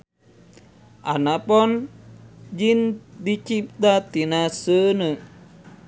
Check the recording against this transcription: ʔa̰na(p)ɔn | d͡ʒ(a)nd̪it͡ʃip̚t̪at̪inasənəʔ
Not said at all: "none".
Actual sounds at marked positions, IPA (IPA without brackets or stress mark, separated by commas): p, i